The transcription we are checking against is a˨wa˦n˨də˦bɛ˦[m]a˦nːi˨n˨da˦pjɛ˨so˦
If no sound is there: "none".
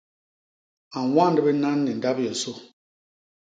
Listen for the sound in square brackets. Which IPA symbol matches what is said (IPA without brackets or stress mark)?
n